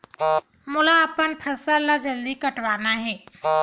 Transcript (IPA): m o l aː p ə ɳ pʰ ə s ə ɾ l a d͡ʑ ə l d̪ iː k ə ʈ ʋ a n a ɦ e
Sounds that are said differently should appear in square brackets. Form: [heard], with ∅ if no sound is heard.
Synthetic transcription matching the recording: m [u] l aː p ə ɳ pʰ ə s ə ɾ l a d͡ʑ ə l d̪ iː k ə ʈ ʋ a n a ɦ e